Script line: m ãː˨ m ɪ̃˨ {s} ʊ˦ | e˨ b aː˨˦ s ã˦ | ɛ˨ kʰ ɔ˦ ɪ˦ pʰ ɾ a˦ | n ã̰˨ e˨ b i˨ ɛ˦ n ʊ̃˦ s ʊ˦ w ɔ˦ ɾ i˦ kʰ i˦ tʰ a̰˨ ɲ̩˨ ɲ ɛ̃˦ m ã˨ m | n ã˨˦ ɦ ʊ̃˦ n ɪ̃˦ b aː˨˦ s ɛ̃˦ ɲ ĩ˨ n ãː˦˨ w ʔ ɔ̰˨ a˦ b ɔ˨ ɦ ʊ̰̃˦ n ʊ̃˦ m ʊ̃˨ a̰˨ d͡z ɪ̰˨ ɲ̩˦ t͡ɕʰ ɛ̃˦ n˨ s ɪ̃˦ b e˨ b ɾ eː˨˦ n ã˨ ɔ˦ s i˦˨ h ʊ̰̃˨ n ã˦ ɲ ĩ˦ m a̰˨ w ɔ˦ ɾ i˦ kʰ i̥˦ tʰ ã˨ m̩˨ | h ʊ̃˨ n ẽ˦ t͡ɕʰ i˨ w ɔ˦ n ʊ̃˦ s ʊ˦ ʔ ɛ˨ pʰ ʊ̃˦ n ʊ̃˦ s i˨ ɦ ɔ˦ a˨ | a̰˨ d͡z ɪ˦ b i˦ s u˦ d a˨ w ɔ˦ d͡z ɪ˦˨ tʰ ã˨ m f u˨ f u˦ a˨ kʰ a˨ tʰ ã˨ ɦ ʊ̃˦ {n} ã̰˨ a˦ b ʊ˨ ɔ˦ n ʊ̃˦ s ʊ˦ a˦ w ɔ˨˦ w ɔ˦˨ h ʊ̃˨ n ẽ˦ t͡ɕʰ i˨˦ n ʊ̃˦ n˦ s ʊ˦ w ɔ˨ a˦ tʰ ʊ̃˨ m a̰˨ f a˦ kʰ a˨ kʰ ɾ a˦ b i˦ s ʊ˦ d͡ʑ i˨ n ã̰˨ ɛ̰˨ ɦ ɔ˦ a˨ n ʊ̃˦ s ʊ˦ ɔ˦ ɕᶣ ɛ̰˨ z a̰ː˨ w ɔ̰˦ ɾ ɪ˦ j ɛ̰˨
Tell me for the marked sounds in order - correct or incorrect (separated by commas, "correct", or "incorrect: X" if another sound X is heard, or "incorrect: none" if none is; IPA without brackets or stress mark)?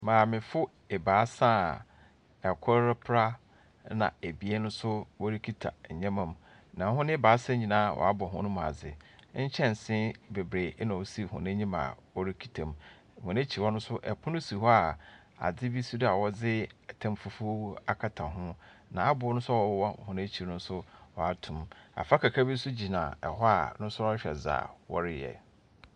incorrect: f, correct